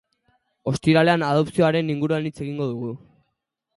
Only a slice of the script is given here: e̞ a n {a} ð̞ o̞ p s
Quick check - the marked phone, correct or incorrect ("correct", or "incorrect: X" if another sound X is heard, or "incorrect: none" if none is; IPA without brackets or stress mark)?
correct